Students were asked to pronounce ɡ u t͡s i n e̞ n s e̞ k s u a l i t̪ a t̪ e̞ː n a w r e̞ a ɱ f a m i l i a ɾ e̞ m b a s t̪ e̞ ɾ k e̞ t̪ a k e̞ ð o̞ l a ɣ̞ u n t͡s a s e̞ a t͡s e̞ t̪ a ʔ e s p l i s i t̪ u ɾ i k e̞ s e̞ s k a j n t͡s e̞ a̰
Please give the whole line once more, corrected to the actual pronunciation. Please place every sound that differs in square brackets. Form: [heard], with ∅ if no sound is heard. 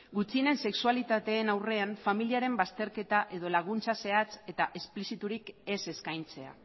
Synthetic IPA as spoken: ɡ u t͡s i n e̞ n s e̞ k s u a l i t̪ a t̪ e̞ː n a w r e̞ a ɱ f a m i l i a ɾ e̞ m b a s t̪ e̞ ɾ k e̞ t̪ a [ʔ] e̞ ð o̞ l a ɣ̞ u n t͡s a s e̞ a t͡s e̞ t̪ a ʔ e s p l i s i t̪ u ɾ i k e̞ s e̞ s k a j n t͡s e̞ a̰